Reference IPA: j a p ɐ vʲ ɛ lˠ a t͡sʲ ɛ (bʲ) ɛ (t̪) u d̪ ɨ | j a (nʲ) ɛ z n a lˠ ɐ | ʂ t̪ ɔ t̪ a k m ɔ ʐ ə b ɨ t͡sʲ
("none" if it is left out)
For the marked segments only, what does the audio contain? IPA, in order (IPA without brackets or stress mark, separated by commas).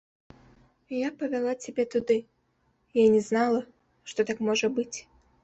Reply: bʲ, t̪, nʲ